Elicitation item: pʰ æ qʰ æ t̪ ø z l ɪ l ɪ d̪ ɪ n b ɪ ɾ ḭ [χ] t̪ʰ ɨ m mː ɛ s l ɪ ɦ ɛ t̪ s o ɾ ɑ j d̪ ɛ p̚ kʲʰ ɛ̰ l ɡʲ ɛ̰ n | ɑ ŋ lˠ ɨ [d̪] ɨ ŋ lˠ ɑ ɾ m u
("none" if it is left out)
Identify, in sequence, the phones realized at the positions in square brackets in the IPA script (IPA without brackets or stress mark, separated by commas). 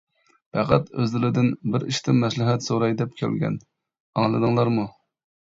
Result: ʃ, d̪